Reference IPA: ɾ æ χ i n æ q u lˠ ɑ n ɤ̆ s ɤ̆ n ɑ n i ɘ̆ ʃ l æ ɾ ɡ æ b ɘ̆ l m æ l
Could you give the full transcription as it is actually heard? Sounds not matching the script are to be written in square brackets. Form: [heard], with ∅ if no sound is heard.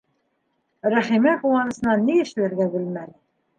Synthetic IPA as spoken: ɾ æ χ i [m] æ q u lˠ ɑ n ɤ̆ s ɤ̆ n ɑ n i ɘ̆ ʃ l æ ɾ ɡ æ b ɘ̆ l m æ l